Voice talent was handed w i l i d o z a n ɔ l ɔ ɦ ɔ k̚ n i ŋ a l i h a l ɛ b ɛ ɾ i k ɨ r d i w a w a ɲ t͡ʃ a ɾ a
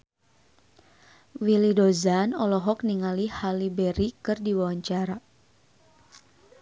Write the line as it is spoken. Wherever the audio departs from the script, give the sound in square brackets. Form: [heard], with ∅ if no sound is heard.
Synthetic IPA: w i l i d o z a n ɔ l ɔ ɦ ɔ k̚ n i ŋ a l i h a l [i] b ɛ ɾ i k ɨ r d i w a w a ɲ t͡ʃ a ɾ a